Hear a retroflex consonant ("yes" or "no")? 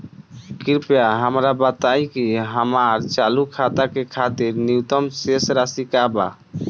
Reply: no